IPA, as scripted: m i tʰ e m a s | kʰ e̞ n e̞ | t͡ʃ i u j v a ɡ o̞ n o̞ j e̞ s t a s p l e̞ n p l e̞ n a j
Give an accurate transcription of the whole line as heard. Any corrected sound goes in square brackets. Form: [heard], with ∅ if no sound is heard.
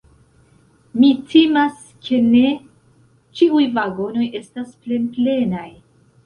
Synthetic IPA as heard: m i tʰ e m a s | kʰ e̞ n e̞ | t͡ʃ i u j v a ɡ o̞ n o̞ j e̞ s t a s p l e̞ n p l e̞ n a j